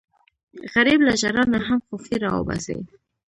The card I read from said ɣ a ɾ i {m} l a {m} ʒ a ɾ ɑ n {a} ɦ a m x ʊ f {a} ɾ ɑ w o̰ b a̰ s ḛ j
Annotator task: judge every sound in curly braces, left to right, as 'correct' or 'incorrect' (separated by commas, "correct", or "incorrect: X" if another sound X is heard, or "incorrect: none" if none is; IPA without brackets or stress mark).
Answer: incorrect: b, incorrect: none, correct, incorrect: i